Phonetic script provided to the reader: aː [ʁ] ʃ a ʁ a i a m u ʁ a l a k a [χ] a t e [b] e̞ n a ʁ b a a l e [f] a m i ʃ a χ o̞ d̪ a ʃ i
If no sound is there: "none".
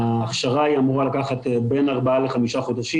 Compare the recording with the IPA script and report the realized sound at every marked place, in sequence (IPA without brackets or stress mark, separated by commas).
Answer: χ, χ, b, χ